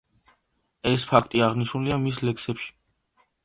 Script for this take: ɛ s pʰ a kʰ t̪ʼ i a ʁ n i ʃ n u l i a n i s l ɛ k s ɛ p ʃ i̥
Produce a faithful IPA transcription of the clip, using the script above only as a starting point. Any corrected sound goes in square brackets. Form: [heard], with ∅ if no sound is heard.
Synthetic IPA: ɛ s pʰ a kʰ t̪ʼ i a ʁ n i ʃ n u l i a [m] i s l ɛ k s ɛ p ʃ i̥